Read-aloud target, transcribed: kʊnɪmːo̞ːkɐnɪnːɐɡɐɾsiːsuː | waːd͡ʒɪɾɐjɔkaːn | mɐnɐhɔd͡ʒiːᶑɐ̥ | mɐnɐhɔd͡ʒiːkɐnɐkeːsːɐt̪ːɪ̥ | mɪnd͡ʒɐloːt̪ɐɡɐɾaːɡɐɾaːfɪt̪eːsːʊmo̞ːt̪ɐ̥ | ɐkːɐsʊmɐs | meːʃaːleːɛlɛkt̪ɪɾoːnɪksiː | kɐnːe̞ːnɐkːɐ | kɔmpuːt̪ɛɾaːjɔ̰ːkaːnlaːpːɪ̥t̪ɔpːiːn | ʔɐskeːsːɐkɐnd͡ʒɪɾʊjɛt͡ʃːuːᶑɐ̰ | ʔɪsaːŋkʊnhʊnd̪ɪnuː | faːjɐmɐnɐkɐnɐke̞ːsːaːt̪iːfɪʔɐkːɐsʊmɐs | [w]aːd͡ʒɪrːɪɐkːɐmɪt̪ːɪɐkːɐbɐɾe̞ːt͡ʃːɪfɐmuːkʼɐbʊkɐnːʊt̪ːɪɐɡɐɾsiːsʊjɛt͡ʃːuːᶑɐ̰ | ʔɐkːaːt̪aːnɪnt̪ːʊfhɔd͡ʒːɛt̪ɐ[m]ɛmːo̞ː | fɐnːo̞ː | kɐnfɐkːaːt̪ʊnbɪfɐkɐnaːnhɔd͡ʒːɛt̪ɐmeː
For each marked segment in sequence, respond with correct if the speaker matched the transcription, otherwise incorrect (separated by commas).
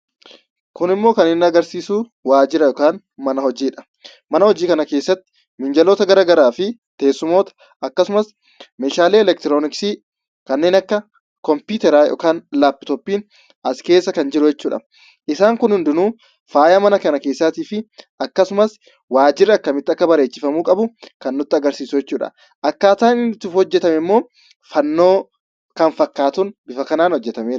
correct, correct